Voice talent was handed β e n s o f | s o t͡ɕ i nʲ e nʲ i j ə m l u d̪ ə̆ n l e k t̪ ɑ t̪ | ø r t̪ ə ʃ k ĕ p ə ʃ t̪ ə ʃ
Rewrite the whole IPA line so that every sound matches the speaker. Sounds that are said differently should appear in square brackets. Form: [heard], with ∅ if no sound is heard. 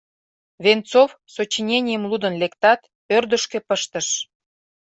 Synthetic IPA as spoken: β e n [t͡s] o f | s o t͡ɕ i nʲ e nʲ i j ə m l u d̪ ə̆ n l e k t̪ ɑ t̪ | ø r [d̪] ə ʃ k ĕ p ə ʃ t̪ ə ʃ